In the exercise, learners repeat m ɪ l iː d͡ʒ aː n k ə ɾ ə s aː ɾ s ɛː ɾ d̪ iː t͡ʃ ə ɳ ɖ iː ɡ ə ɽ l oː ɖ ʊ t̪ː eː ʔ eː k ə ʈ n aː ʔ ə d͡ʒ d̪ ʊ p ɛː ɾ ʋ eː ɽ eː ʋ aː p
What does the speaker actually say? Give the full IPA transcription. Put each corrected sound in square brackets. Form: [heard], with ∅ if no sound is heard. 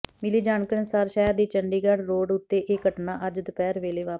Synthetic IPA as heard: m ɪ l iː d͡ʒ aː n k ə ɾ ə s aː ɾ [ʃ] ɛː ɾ d̪ iː t͡ʃ ə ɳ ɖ iː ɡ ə ɽ [ɾ] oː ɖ ʊ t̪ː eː ʔ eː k ə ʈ n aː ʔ ə d͡ʒ d̪ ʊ p ɛː ɾ ʋ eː [l] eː ʋ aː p